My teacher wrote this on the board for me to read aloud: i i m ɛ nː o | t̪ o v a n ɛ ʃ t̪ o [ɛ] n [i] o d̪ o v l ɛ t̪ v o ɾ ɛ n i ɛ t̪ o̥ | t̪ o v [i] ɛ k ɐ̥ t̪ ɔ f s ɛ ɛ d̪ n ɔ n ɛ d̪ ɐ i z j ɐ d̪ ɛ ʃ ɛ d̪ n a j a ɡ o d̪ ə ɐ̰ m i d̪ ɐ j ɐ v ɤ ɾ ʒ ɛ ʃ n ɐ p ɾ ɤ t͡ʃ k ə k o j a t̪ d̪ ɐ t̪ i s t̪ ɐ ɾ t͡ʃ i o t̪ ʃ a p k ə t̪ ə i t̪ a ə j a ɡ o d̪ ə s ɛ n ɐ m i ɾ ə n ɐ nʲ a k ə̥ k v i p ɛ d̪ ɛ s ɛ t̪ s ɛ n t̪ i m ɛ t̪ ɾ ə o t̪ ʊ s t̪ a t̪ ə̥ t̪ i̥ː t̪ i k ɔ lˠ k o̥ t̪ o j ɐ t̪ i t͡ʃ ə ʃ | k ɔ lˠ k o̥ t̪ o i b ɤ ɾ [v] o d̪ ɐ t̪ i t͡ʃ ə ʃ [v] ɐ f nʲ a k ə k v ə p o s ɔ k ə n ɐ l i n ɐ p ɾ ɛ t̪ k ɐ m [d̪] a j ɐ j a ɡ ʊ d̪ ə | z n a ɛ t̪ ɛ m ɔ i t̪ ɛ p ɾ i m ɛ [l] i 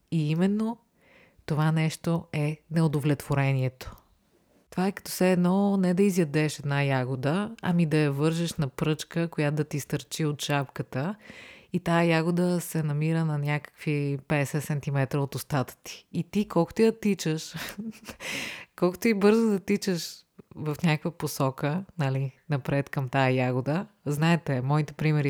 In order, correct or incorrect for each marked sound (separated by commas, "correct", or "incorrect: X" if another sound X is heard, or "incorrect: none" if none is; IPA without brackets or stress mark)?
correct, incorrect: ɛ, incorrect: a, incorrect: z, correct, incorrect: t̪, incorrect: ɾ